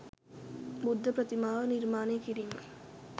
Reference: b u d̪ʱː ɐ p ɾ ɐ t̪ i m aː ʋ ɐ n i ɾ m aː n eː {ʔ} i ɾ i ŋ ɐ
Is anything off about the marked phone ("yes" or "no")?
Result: yes